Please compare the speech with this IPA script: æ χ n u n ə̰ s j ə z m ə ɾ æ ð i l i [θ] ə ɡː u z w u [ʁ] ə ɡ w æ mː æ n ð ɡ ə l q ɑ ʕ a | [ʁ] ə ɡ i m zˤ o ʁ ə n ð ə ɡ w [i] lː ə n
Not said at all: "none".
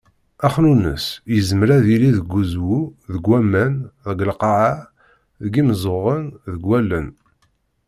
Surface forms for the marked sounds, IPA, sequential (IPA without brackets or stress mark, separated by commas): ð, ð, ð, æ